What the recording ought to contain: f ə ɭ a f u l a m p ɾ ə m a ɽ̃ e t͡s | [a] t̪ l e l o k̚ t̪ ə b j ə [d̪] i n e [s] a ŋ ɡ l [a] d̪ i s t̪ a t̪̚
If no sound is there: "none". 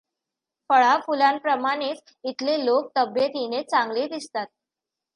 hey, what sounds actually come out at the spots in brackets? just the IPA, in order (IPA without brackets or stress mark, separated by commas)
i, t̪, t͡s, e